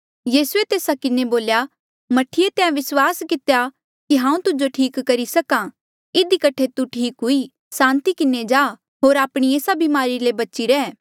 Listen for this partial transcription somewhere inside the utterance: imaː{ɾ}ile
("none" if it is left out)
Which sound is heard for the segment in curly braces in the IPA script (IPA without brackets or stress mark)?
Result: ɾ